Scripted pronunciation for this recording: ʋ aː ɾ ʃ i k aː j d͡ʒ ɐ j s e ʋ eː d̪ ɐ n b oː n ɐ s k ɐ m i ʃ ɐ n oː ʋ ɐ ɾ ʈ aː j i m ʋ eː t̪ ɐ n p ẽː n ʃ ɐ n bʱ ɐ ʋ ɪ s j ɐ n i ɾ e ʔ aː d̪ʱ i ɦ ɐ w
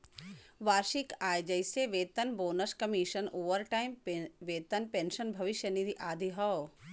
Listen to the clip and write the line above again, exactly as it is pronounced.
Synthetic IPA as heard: ʋ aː ɾ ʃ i k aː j d͡ʒ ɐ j s e ʋ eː t̪ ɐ n b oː n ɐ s k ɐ m i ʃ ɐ n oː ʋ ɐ ɾ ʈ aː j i m ʋ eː t̪ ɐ n p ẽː n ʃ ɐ n bʱ ɐ ʋ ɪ ʃ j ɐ n i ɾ i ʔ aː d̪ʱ i ɦ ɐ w